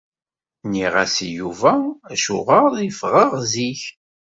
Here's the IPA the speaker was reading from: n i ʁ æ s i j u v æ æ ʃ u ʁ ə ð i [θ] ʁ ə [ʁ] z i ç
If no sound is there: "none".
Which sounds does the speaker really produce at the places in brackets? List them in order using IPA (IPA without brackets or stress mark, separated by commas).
f, ʁ